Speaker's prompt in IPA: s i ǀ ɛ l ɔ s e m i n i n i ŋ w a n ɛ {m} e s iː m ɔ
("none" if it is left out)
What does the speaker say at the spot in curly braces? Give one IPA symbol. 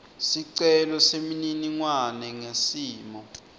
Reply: ŋ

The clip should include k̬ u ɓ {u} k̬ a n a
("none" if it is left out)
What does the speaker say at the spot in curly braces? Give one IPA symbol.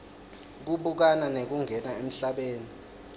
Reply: u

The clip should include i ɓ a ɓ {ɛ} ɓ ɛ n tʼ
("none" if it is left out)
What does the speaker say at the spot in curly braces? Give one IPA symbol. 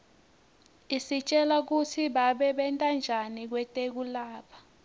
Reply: ɛ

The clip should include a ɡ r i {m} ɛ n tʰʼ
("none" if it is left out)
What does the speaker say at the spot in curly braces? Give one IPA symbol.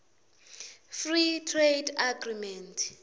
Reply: m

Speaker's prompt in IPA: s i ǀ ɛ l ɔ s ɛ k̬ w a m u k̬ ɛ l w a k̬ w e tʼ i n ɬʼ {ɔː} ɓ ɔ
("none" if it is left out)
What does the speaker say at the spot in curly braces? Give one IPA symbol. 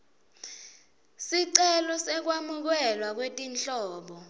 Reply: ɔː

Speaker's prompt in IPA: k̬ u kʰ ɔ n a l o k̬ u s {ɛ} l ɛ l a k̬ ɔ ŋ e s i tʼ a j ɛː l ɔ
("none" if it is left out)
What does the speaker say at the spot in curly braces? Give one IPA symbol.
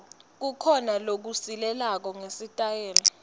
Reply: i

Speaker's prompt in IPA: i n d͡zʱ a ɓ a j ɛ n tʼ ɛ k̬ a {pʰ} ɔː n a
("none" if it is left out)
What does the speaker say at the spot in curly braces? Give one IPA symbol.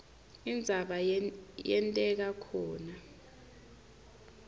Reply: kʰ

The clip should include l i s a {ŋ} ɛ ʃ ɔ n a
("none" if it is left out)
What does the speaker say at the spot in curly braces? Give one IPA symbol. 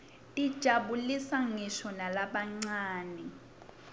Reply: ŋ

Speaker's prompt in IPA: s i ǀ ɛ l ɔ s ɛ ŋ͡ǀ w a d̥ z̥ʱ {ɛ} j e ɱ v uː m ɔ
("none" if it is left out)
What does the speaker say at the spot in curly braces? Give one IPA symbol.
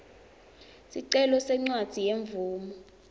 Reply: i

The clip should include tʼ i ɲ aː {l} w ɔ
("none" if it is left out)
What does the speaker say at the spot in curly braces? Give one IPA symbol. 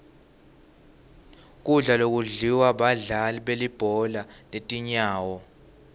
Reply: none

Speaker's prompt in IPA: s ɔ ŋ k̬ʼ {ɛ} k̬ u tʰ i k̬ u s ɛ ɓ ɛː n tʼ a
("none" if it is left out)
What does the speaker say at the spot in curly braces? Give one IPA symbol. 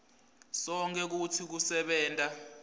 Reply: ɛ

